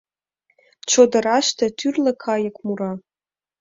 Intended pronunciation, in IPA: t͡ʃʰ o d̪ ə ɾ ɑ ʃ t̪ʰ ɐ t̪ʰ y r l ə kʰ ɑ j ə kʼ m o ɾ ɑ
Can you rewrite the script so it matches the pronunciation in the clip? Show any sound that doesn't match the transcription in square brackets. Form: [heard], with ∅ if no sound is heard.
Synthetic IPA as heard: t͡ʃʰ o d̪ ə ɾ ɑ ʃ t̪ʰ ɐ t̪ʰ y r l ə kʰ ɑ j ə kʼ m [u] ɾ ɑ

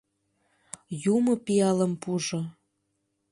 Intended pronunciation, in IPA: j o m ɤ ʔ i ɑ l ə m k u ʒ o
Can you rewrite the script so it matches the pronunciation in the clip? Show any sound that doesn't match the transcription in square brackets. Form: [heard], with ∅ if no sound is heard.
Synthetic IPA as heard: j [u] m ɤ [p] i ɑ l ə m [p] u ʒ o

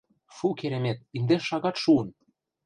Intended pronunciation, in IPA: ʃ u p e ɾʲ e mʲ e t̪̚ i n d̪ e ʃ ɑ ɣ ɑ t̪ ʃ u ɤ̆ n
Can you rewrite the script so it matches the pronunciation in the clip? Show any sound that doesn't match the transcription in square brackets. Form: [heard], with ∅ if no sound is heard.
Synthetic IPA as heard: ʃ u [k] e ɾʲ e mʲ e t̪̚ i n d̪ e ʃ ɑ ɣ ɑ t̪ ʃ u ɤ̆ n

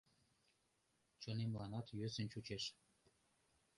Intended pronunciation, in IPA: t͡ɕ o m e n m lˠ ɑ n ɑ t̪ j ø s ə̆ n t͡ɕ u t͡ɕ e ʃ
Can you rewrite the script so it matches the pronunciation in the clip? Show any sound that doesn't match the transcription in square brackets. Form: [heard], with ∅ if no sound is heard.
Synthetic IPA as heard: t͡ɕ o [n] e [∅] m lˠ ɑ n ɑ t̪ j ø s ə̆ n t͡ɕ u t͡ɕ e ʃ

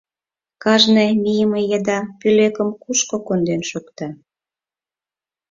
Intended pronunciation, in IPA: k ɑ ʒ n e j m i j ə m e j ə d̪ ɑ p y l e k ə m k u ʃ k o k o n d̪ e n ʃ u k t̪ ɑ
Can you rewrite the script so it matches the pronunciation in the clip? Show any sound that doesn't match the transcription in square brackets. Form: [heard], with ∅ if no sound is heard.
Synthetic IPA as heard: k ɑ ʒ n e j m i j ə m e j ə d̪ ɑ p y l e k ə m k u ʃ k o k o n d̪ e n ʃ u k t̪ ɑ

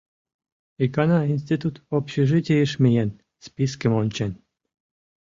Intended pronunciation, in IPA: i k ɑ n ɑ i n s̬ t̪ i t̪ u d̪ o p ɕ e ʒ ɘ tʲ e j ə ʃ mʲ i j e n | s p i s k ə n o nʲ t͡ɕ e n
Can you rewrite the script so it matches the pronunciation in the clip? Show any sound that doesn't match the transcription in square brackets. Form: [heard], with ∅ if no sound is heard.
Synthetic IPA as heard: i k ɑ n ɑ i n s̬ t̪ i t̪ u [t̪] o p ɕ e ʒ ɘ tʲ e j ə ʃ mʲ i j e n | s p i s k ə [m] o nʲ t͡ɕ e n

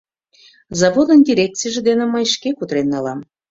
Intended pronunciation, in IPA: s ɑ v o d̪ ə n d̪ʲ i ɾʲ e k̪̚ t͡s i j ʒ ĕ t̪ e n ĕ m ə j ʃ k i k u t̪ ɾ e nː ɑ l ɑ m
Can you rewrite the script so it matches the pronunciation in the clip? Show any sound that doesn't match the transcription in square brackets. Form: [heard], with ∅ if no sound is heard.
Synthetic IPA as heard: [z] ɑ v o d̪ ə n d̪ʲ i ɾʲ e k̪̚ t͡s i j ʒ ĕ [d̪] e n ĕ m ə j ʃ k [e] k u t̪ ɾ e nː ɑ l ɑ m

